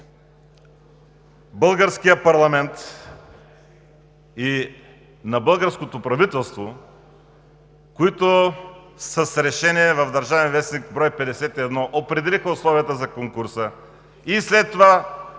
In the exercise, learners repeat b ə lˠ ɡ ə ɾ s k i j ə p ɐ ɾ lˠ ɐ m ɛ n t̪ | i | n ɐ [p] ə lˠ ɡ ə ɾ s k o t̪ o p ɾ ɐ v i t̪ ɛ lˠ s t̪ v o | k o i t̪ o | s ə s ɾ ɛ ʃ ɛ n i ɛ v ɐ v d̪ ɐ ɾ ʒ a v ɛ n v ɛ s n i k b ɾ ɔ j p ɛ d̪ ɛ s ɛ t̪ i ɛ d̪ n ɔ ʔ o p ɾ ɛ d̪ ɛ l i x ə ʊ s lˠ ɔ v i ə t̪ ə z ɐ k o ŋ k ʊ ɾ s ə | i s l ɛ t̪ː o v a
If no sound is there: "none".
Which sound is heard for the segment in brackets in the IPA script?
b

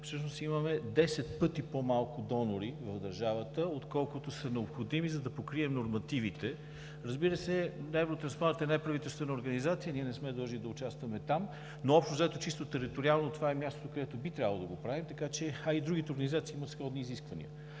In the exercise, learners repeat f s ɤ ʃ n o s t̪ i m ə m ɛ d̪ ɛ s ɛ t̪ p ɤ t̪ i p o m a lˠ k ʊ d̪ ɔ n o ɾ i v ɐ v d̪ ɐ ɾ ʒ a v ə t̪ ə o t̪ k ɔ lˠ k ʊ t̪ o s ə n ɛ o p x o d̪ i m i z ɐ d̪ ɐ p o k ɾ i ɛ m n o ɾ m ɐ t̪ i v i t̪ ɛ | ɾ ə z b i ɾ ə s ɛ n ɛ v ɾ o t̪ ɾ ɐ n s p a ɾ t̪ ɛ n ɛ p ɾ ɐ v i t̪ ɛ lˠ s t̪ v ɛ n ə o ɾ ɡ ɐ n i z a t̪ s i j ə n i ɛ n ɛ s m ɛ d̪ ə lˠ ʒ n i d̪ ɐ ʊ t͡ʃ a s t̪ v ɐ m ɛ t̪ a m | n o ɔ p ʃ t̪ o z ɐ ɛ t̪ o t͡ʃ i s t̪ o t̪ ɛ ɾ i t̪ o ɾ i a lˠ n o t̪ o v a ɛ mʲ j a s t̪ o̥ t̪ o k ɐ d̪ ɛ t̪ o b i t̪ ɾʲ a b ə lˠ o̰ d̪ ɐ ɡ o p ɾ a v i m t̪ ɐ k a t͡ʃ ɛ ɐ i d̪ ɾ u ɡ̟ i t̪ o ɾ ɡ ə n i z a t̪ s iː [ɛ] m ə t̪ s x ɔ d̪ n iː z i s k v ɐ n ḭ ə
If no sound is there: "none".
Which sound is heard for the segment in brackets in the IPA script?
i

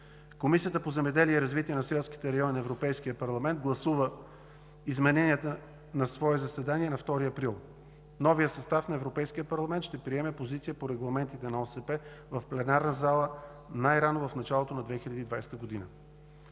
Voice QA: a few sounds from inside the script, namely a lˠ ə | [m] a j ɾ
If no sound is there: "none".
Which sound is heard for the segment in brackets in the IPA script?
n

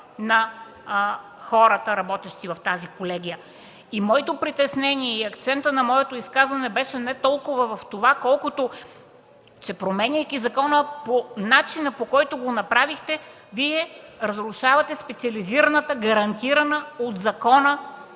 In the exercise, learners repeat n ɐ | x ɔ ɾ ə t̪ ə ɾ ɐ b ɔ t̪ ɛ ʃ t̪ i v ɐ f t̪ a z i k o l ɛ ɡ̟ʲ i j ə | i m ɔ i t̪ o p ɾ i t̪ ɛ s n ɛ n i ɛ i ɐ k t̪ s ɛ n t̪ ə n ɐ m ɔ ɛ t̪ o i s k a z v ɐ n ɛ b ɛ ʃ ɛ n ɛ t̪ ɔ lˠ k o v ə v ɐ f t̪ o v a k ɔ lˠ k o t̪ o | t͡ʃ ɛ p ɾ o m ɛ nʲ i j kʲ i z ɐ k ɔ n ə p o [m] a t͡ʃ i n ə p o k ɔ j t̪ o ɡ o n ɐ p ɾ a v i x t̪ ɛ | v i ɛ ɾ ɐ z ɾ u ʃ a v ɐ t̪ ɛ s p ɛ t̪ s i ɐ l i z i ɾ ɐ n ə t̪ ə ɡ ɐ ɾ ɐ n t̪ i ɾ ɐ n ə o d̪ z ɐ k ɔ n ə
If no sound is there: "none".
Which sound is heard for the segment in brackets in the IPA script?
n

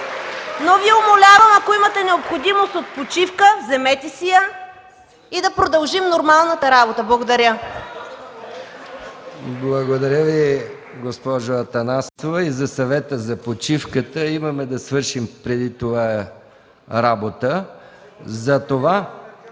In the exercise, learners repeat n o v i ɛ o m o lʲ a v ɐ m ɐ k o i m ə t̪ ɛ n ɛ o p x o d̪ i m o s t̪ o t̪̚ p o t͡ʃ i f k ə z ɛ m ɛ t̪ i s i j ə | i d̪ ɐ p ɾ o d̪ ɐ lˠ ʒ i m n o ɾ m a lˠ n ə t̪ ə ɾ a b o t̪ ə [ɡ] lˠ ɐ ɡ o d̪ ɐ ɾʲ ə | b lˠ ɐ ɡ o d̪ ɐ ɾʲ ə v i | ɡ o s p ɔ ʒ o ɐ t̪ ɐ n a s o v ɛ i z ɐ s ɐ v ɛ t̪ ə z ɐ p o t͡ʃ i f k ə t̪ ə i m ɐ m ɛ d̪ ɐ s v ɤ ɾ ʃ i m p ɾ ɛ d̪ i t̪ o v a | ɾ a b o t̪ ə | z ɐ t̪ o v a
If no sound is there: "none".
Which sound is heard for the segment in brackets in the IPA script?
b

